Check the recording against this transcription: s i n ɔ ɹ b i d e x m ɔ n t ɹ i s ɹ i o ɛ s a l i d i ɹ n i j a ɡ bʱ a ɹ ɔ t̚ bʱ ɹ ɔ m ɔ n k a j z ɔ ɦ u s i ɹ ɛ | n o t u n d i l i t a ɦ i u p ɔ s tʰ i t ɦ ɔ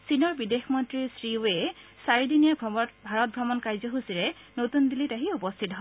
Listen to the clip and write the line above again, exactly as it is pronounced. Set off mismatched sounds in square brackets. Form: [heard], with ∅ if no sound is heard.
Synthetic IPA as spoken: s i n ɔ ɹ b i d e x m ɔ n t ɹ i s ɹ i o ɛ s a [ɹ] i d i [∅] n i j a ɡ bʱ a ɹ ɔ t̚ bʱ ɹ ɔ m ɔ n k a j z ɔ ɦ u s i ɹ ɛ | n o t u n d i l i t a ɦ i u p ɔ s tʰ i t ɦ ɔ